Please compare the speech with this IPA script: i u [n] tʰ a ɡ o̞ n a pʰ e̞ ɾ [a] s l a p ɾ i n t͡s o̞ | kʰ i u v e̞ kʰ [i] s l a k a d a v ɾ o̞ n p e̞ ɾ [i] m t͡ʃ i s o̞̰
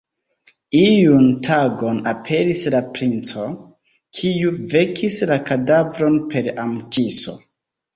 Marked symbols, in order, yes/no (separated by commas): yes, no, yes, no